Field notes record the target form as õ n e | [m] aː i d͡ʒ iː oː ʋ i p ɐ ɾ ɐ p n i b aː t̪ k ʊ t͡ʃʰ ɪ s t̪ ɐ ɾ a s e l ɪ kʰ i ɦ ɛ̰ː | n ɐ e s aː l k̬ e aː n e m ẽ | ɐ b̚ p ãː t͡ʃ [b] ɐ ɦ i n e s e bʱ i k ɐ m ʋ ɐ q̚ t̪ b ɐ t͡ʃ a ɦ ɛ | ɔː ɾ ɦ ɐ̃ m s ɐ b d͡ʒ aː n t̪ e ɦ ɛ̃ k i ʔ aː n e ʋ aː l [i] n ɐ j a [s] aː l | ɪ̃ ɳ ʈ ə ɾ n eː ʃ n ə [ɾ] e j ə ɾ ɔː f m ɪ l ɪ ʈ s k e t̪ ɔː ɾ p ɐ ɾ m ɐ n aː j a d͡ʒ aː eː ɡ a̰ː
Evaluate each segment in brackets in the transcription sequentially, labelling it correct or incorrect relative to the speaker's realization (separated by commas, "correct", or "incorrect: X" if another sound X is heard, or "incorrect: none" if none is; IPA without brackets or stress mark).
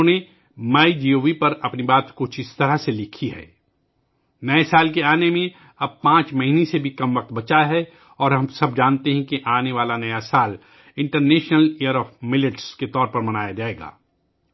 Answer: correct, incorrect: m, incorrect: a, correct, incorrect: l